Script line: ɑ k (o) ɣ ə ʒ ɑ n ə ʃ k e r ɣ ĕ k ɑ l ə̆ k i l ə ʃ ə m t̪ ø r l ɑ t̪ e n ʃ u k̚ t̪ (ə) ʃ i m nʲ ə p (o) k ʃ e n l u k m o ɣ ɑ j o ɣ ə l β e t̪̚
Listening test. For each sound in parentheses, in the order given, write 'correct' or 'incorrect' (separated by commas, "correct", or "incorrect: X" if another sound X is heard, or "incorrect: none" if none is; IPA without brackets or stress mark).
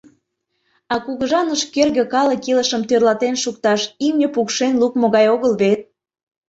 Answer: incorrect: u, incorrect: ɑ, incorrect: u